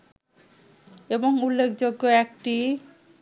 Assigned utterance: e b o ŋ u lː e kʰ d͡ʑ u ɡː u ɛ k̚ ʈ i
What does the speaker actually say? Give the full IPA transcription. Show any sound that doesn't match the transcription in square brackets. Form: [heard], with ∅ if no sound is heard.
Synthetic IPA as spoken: e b o ŋ u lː e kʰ d͡ʑ [o] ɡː [o] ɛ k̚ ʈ i